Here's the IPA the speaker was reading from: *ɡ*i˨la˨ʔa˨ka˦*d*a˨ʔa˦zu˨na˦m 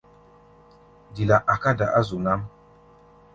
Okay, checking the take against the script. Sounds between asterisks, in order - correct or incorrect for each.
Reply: incorrect: d, correct

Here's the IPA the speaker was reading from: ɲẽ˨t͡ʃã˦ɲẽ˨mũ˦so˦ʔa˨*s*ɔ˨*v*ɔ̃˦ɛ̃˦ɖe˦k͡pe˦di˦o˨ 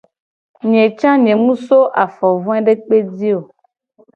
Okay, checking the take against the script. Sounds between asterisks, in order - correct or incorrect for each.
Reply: incorrect: f, correct

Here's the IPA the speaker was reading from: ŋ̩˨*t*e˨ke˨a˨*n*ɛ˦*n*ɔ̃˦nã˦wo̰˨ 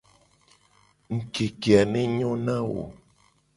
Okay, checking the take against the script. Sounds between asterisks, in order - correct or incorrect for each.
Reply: incorrect: k, correct, incorrect: ɲ

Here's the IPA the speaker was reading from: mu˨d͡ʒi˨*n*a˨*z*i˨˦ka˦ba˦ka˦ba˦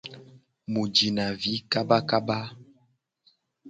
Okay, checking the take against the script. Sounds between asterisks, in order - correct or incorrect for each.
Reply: correct, incorrect: v

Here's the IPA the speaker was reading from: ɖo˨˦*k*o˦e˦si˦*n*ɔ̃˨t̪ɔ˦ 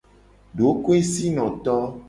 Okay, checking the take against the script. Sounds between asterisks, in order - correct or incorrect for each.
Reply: correct, correct

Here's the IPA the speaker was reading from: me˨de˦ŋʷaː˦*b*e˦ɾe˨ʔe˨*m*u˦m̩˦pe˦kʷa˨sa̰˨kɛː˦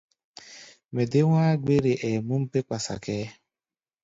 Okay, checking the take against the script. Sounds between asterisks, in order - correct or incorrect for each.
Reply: incorrect: ɡ͡b, correct

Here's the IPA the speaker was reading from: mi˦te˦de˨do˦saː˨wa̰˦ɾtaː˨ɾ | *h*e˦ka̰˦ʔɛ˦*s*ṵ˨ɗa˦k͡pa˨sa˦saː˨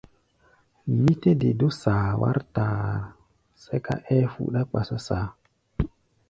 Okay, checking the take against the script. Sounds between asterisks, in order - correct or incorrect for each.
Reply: incorrect: s, incorrect: f

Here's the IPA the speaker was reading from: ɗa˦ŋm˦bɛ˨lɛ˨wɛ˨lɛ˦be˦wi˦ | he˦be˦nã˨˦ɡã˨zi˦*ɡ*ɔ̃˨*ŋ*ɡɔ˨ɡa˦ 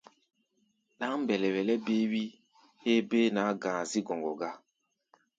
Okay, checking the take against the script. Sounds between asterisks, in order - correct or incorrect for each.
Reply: correct, correct

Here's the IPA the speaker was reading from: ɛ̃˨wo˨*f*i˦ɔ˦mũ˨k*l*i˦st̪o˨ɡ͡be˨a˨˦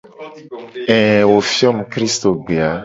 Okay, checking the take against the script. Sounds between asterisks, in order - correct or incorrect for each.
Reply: correct, incorrect: ɾ

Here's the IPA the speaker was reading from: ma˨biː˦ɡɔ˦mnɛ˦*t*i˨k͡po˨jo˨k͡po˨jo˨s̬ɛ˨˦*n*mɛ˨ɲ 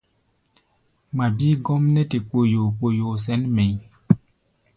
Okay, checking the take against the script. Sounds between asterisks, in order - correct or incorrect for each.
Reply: correct, correct

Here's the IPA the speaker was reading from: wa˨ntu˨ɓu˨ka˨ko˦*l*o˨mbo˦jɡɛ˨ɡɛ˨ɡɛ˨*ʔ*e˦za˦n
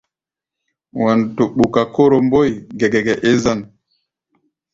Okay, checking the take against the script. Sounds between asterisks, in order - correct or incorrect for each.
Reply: incorrect: ɾ, correct

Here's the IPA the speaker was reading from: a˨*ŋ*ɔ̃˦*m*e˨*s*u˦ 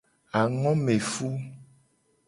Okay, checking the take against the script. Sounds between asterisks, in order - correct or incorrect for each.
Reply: correct, correct, incorrect: f

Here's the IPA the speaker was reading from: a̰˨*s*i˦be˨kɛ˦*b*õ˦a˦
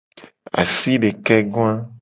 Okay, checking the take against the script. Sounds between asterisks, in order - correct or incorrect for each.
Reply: correct, incorrect: ɡ

